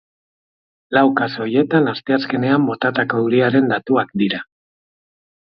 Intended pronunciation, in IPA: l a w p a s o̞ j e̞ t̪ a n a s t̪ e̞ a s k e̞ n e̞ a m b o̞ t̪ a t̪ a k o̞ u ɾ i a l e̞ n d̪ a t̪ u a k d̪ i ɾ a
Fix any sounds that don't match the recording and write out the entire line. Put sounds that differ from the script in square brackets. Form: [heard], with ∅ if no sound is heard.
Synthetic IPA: l a w [k] a s o̞ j e̞ t̪ a n a s t̪ e̞ a s k e̞ n e̞ a m b o̞ t̪ a t̪ a k o̞ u ɾ i a [ɾ] e̞ n d̪ a t̪ u a k d̪ i ɾ a